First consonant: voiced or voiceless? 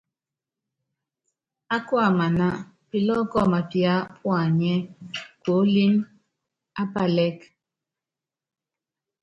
voiceless